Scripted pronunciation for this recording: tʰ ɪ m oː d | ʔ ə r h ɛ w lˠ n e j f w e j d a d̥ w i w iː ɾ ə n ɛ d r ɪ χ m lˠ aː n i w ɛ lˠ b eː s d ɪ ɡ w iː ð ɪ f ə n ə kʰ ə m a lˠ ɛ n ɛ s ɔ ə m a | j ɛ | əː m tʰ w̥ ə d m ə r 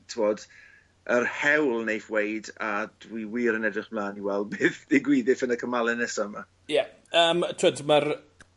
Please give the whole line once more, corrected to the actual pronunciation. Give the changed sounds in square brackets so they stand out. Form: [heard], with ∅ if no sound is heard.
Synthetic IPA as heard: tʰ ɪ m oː d | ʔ ə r h ɛ w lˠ n e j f w e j d a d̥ w i w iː ɾ ə n ɛ d r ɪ χ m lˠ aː n i w ɛ lˠ b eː [θ] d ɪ ɡ w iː ð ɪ f ə n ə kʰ ə m a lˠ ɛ n ɛ s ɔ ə m a | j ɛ | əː m tʰ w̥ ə d m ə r